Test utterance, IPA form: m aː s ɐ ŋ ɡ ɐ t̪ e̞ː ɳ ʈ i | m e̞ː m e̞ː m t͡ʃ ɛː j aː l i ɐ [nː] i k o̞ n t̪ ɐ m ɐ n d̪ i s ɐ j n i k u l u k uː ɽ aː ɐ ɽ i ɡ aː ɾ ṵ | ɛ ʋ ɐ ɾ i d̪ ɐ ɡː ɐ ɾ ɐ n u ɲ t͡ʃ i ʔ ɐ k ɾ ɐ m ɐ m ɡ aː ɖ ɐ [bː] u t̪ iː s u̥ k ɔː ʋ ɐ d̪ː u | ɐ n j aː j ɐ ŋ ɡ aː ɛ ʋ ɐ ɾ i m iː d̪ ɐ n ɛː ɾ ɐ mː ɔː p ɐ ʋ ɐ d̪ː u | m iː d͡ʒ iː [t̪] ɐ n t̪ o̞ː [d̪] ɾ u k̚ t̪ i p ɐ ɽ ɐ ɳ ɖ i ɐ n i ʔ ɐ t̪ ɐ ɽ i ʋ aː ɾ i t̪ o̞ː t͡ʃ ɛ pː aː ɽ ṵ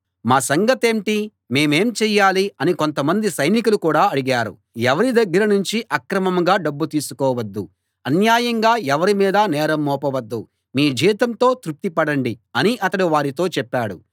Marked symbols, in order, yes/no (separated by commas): no, yes, yes, no